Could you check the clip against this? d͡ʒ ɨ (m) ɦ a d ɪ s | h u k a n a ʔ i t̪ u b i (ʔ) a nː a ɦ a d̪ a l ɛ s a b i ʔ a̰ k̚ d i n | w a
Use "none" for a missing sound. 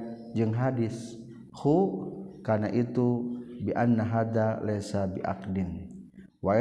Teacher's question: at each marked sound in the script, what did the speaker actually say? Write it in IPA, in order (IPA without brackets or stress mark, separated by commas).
ŋ, ʔ